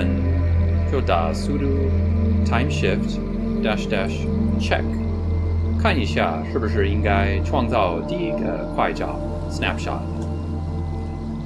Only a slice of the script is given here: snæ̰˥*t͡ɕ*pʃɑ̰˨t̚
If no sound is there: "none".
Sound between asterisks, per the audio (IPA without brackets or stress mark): none